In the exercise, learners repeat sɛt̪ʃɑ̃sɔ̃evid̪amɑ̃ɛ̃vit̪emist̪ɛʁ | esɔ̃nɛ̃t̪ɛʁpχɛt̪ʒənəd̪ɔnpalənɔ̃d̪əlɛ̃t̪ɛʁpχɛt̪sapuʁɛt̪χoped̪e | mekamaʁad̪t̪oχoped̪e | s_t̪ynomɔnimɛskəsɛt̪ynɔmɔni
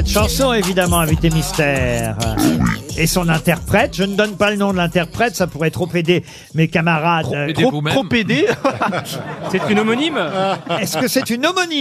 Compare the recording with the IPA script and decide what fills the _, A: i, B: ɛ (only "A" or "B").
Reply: B